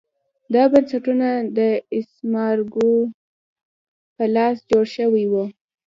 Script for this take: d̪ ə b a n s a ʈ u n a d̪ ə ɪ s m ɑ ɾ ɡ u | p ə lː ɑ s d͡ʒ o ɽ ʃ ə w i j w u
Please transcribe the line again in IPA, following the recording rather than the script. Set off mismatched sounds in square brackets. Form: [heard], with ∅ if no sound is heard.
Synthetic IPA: d̪ [ɑ] b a n s a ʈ u n a d̪ ə ɪ s m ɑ ɾ ɡ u | p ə [l] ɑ s d͡ʒ o ɽ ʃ ə w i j w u